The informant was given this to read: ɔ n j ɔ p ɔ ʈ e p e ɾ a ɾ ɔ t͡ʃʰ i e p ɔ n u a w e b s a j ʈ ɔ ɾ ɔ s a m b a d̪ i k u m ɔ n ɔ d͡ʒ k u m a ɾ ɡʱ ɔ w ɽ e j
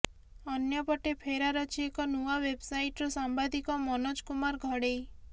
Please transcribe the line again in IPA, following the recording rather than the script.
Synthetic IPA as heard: ɔ n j ɔ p ɔ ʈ e pʰ e ɾ a ɾ ɔ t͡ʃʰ i e k ɔ n u a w e b s a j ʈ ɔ ɾ ɔ s a m b a d̪ i k ɔ m ɔ n ɔ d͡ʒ k u m a ɾ ɡʱ ɔ ɽ e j